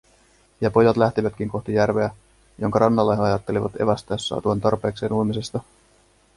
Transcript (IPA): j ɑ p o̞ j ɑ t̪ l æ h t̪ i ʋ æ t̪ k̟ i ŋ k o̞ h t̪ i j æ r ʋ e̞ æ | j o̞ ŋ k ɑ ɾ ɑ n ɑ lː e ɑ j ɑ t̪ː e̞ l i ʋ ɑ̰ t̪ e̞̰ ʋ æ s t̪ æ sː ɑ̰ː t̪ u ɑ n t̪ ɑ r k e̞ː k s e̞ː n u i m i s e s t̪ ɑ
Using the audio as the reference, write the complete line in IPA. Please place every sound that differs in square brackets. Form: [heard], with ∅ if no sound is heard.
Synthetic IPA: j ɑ p o̞ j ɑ t̪ l æ h t̪ i ʋ æ t̪ k̟ i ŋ k o̞ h t̪ i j æ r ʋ e̞ æ | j o̞ ŋ k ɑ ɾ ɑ [nː] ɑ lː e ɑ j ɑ t̪ː e̞ l i ʋ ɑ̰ t̪ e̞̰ ʋ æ s t̪ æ sː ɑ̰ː t̪ u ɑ n t̪ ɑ r [p] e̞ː k s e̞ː n u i m i s e s t̪ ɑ